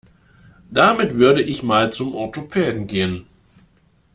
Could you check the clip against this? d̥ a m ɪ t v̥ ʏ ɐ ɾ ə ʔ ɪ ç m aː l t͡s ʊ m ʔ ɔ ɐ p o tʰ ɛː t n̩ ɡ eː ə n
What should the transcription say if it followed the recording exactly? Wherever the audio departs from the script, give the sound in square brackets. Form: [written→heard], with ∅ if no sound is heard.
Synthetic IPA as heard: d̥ a m ɪ t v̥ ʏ ɐ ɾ ə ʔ ɪ ç m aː l t͡s ʊ m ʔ ɔ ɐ [p→t] o [tʰ→pʰ] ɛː [t→d] n̩ ɡ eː ə n

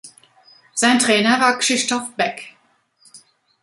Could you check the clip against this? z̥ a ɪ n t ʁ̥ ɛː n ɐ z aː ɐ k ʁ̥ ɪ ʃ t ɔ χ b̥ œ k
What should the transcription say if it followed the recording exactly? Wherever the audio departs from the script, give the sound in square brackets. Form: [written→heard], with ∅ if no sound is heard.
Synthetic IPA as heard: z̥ a ɪ n t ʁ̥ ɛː n ɐ [z→v] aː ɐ k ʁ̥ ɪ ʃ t ɔ [χ→f] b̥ [œ→ɛ] k

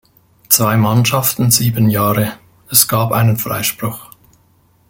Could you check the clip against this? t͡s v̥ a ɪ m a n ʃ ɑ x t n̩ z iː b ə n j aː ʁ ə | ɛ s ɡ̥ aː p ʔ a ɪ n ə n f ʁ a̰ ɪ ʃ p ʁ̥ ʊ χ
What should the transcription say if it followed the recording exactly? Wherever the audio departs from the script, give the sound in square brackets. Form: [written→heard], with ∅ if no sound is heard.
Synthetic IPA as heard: t͡s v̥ a ɪ m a n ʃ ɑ [x→f] t n̩ z iː b ə n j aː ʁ ə | ɛ s ɡ̥ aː p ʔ a ɪ n ə n f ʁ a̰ ɪ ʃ p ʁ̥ ʊ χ

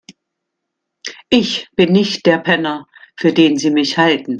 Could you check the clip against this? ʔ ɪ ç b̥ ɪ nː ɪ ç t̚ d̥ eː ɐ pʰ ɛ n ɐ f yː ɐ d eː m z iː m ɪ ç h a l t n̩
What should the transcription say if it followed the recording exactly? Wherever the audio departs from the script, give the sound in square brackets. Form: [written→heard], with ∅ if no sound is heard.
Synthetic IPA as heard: ʔ ɪ ç b̥ ɪ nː ɪ ç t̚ d̥ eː ɐ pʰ ɛ n ɐ f yː ɐ d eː [m→n] z iː m ɪ ç h a l t n̩

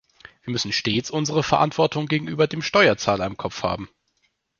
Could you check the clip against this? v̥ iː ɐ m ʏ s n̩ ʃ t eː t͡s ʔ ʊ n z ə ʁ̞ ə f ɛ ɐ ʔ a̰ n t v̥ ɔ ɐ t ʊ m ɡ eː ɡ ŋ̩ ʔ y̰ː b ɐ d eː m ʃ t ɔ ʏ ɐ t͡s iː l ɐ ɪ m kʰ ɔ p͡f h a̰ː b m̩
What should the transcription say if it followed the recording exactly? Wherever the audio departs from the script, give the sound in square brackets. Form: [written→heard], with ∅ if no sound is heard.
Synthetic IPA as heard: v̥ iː ɐ m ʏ s n̩ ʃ t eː t͡s ʔ ʊ n z ə ʁ̞ ə f ɛ ɐ ʔ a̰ n t v̥ ɔ ɐ t ʊ [m→ŋ] ɡ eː ɡ ŋ̩ ʔ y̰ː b ɐ d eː m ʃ t ɔ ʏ ɐ t͡s [iː→aː] l ɐ ɪ m kʰ ɔ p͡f h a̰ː b m̩

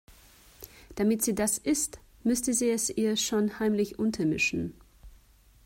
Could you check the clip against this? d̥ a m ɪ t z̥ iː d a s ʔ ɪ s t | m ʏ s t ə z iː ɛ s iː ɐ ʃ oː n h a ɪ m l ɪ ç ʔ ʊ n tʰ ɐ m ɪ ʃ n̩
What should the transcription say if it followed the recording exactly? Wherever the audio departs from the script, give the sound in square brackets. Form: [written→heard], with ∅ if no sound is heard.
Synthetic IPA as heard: d̥ a m ɪ t z̥ iː d a s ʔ ɪ s t | m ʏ s t ə z iː ɛ s iː ɐ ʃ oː n h a ɪ m l ɪ ç ʔ ʊ n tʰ ɐ m ɪ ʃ n̩

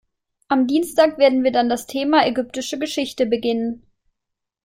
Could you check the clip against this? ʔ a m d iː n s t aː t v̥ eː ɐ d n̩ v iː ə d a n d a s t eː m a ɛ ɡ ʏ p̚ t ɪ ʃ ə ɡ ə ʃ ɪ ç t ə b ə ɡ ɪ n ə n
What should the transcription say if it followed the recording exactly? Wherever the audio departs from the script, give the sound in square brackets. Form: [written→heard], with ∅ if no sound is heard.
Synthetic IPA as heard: ʔ a m d iː n s t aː [t→k] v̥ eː ɐ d n̩ v iː [ə→ɐ] d a n d a s [t→tʰ] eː m a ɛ ɡ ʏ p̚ t ɪ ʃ ə ɡ ə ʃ ɪ ç t ə b ə ɡ ɪ n ə n

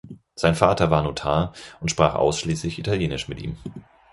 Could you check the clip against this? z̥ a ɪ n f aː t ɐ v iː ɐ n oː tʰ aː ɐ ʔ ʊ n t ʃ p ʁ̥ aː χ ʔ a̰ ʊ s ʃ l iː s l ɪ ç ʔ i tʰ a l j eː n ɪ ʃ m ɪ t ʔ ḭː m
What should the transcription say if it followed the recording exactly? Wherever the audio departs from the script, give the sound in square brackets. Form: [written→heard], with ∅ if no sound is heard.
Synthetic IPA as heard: z̥ a ɪ n f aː t ɐ v [iː→aː] ɐ n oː tʰ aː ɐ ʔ ʊ n t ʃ p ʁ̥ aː χ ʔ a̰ ʊ s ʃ l iː s l ɪ ç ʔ i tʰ a l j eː n ɪ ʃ m ɪ t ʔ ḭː m

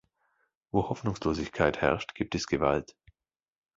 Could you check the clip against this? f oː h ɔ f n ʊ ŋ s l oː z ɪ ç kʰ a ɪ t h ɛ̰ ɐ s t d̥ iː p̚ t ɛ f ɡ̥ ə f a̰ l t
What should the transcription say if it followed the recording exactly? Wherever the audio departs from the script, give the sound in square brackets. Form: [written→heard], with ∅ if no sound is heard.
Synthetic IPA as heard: [f→v] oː h ɔ f n ʊ ŋ s l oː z ɪ ç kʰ a ɪ t h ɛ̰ ɐ [s→ʃ] t [d̥→ɡ̥] iː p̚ t ɛ [f→s] ɡ̥ ə [f→v] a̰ l t

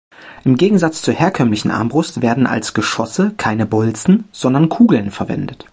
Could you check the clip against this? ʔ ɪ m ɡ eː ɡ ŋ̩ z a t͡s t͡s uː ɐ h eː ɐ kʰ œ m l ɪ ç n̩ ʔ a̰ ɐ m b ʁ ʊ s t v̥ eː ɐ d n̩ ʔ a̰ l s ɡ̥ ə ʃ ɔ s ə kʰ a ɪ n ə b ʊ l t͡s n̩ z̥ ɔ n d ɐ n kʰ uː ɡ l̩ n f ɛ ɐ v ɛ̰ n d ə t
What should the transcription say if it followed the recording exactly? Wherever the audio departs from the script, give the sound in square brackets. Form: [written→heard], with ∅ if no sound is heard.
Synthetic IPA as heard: ʔ ɪ m ɡ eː ɡ ŋ̩ z a t͡s t͡s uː ɐ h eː ɐ kʰ œ m l ɪ ç n̩ ʔ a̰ ɐ m b ʁ ʊ s t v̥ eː ɐ d n̩ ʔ a̰ l s ɡ̥ ə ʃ ɔ s ə kʰ a ɪ n ə b ʊ l t͡s n̩ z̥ ɔ n d ɐ n kʰ uː ɡ l̩ n f ɛ ɐ v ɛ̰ n d ə t

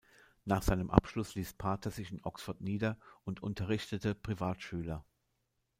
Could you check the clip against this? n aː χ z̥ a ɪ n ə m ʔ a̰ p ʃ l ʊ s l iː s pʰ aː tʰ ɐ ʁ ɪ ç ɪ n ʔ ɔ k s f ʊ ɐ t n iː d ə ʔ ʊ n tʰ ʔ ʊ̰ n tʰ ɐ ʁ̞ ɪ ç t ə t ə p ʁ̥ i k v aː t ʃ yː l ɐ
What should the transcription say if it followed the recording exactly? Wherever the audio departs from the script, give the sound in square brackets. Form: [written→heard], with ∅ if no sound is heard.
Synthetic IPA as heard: n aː χ z̥ a ɪ n ə m ʔ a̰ p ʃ l ʊ s l iː s pʰ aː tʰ ɐ [ʁ→z] ɪ ç ɪ n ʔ ɔ k s f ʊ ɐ t n iː d [ə→ɐ] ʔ ʊ n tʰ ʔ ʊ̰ n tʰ ɐ ʁ̞ ɪ ç t ə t ə p ʁ̥ i [k→∅] v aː t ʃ yː l ɐ

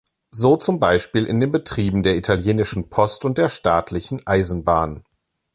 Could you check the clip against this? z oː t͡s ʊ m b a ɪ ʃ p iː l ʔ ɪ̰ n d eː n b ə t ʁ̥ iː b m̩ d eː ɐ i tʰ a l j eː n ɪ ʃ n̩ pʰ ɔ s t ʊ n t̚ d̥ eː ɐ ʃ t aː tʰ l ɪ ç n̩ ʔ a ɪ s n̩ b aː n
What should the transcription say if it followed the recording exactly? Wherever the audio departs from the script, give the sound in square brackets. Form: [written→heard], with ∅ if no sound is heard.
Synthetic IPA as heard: z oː t͡s ʊ m b a ɪ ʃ p iː l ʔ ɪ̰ n d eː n b ə t ʁ̥ iː b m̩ d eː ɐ i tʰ a l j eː n ɪ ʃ n̩ pʰ ɔ s t ʊ n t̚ d̥ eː ɐ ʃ t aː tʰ l ɪ ç n̩ ʔ a ɪ [s→z] n̩ b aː n

